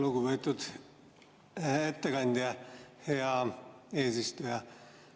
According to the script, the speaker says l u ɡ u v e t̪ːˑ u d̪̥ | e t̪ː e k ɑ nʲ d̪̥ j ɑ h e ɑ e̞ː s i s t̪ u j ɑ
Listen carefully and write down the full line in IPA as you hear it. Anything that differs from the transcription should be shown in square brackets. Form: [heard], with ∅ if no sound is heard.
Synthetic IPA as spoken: l u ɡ u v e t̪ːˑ u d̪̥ | e t̪ː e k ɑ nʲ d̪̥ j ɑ h e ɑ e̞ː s i s t̪ u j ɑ